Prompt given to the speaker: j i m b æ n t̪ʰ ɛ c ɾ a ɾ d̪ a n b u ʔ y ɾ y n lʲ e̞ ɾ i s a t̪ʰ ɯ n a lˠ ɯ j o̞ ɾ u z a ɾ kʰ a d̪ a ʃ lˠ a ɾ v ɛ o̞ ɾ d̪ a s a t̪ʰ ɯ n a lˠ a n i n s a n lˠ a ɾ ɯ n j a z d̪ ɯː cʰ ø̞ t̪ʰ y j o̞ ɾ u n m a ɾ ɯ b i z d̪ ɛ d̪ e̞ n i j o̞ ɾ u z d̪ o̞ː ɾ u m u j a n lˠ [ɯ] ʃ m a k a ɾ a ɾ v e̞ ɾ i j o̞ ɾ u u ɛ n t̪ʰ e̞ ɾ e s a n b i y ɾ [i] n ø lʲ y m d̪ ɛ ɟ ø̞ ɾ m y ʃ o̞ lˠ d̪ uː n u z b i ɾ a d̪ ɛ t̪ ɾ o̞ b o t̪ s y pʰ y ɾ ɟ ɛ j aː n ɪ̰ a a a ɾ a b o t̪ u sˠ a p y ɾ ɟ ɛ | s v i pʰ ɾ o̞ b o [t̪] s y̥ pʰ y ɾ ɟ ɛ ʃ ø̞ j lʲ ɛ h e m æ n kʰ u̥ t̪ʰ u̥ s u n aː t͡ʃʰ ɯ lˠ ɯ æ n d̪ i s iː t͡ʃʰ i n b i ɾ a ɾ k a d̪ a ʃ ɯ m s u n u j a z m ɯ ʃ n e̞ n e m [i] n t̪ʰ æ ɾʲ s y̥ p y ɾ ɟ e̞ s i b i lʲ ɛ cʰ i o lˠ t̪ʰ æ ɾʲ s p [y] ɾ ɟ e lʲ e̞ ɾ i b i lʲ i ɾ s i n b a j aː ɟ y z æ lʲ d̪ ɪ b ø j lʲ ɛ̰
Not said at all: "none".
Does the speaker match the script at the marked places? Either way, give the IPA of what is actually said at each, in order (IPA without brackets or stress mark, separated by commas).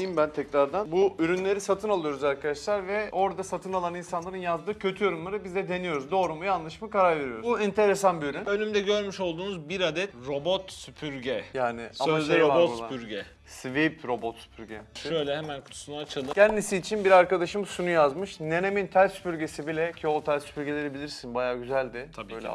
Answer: ɯ, y, t̪, i, y